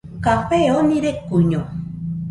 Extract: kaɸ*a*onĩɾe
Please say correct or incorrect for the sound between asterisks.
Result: incorrect